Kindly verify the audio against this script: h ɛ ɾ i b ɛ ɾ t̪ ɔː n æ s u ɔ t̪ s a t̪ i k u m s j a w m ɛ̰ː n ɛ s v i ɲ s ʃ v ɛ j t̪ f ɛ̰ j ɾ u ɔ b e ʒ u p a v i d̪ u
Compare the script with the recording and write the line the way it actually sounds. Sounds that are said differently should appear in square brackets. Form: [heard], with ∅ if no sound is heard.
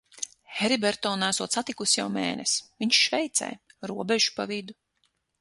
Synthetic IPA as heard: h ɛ ɾ i b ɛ ɾ t̪ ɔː n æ s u ɔ t̪ s a t̪ i k u [∅] s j a w m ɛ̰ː n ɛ s v i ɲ [ʃ] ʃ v ɛ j t̪ [s] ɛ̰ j ɾ u ɔ b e ʒ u p a v i d̪ u